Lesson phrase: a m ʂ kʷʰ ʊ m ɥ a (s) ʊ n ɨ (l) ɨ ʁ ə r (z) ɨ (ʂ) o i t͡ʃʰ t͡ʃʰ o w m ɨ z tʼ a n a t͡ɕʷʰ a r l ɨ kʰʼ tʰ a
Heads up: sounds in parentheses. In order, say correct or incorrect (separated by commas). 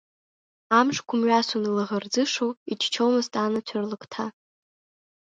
correct, correct, incorrect, correct